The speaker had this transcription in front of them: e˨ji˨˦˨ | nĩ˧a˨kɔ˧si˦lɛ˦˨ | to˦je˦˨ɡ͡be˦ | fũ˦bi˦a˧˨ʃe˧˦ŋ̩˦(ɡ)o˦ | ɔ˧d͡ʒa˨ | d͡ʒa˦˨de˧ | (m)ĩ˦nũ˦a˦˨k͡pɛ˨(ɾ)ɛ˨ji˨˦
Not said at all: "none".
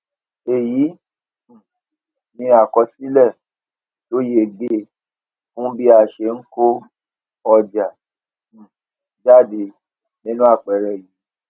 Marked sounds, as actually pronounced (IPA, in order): k, n, ɾ

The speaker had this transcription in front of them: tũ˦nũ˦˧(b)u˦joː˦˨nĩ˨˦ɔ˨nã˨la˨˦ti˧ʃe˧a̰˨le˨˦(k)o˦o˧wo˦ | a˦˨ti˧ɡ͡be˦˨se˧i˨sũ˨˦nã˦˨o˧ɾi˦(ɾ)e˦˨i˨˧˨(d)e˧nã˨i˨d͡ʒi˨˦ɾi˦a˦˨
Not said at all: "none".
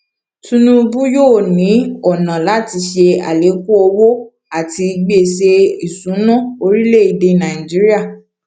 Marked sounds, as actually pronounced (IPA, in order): b, k, l, d

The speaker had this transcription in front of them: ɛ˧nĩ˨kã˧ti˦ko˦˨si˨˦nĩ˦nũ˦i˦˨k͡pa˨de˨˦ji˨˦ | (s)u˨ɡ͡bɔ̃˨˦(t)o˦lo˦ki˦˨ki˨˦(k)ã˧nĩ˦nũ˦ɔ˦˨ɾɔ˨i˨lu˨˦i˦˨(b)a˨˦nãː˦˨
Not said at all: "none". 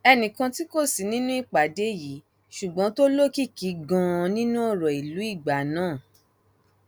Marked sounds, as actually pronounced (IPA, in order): ʃ, t, ɡ, ɡ͡b

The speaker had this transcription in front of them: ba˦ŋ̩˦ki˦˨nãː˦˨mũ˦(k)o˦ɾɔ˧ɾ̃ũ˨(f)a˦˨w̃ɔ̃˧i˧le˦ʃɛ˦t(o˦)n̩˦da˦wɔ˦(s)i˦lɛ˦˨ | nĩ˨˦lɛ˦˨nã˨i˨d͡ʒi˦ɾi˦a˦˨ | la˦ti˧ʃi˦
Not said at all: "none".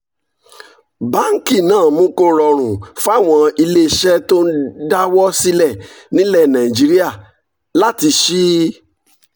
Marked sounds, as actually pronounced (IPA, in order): k, f, o˦, s

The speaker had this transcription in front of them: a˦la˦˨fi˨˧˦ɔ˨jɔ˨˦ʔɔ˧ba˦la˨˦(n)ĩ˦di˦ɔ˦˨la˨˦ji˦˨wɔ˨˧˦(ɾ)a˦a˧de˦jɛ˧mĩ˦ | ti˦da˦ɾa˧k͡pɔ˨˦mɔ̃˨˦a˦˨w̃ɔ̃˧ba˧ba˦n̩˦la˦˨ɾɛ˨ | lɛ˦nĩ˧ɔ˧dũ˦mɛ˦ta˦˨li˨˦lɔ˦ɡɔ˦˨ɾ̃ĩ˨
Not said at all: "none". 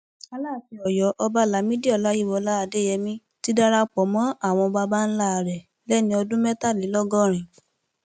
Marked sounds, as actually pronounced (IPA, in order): m, l

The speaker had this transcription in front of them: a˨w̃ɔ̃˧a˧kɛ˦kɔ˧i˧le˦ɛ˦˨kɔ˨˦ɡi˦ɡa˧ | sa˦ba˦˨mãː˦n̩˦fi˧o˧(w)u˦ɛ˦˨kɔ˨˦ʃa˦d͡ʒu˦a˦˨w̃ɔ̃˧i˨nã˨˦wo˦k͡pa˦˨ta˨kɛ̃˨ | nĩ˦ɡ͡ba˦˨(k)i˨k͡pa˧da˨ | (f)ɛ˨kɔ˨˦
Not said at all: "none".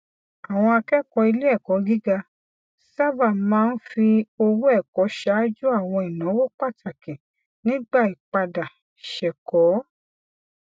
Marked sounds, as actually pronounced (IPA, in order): w, none, ʃ

